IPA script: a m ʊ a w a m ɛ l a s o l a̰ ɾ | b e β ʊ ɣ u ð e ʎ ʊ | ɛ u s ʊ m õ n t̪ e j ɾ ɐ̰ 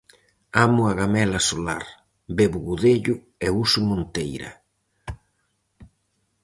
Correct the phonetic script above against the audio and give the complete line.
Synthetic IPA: a m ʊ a ɣ a m ɛ l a s o l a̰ ɾ | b e β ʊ ɣ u ð e ʎ ʊ | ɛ u s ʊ m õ n t̪ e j ɾ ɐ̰